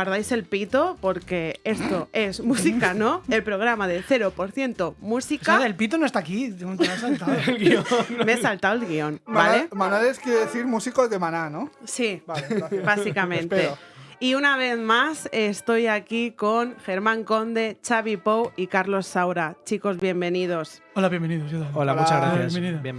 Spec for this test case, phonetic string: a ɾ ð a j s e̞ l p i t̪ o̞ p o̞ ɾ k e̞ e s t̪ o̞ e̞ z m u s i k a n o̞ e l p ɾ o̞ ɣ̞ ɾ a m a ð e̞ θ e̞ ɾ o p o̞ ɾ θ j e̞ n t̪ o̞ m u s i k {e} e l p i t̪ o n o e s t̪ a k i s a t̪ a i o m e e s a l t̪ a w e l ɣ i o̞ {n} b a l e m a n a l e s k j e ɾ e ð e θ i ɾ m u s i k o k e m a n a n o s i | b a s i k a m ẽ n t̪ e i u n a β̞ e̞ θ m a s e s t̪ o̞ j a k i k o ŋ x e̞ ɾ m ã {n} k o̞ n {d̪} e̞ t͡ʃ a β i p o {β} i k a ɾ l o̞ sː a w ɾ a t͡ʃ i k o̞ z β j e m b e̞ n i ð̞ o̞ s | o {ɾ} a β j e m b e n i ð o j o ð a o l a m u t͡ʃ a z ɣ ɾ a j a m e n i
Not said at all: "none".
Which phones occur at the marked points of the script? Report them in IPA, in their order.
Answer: a, n, ŋ, d̪, w, l

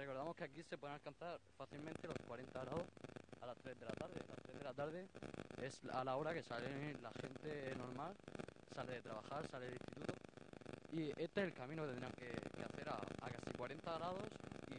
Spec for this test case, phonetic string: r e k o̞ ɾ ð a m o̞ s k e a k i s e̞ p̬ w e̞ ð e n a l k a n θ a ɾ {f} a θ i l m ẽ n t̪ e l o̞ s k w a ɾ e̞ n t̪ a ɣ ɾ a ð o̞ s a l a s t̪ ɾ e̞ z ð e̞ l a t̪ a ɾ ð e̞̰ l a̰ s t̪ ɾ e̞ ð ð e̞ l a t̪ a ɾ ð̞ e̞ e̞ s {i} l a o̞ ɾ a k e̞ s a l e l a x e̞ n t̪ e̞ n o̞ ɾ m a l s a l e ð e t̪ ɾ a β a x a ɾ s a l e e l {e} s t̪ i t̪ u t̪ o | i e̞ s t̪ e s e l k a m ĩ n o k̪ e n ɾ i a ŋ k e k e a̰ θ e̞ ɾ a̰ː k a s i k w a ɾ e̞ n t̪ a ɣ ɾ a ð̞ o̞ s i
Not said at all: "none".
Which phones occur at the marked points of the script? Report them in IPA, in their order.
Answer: f, a, i

